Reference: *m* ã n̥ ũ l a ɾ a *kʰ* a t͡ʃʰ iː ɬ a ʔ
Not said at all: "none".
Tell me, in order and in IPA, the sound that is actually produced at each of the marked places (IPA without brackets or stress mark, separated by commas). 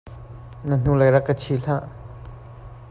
n, k